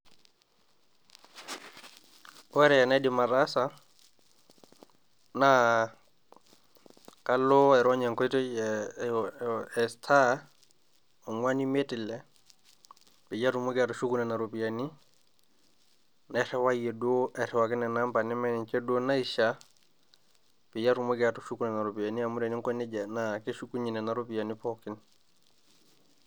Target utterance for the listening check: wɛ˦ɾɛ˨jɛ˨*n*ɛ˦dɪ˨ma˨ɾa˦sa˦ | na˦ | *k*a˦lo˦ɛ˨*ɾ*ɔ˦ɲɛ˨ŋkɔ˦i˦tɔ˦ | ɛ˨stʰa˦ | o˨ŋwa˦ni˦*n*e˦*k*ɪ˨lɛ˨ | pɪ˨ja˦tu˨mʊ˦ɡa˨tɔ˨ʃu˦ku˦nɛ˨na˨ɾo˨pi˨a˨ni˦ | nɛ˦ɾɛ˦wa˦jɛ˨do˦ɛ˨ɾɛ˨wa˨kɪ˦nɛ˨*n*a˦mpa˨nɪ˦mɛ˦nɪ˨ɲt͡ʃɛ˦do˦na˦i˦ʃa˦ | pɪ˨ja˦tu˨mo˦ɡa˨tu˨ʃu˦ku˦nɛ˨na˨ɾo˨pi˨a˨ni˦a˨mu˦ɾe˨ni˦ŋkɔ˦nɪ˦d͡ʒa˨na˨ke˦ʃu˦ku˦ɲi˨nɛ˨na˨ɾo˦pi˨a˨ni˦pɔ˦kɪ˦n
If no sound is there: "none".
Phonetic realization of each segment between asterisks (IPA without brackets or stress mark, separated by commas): n, k, ɾ, m, t, n